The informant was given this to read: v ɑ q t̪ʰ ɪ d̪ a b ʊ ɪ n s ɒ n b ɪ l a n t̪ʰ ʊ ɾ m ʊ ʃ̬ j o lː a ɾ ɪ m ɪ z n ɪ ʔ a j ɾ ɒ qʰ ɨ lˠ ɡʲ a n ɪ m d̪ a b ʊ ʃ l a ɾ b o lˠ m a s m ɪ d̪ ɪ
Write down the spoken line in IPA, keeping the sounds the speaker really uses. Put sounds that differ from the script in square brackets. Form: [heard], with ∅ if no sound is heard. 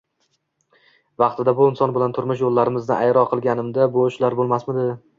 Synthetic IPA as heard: v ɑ q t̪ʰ ɪ d̪ a b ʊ ɪ n s ɒ n b ɪ l a n t̪ʰ ʊ ɾ m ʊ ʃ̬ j o lː a ɾ ɪ m ɪ z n ɪ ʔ a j ɾ ɒ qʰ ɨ lˠ ɡʲ a n ɪ m d̪ a b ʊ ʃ l a ɾ b o lˠ m a s m ɪ d̪ ɪ